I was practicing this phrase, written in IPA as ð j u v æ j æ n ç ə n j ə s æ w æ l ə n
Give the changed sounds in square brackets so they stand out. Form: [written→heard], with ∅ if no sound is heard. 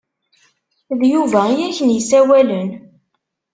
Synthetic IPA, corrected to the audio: ð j u v æ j æ [n→∅] ç ə n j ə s æ w æ l ə n